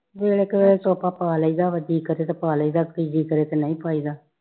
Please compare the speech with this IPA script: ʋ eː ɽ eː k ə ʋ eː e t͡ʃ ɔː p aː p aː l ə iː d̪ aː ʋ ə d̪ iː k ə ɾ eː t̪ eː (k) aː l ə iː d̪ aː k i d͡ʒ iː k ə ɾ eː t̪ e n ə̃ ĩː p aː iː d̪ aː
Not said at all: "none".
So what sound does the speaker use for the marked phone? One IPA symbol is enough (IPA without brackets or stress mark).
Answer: p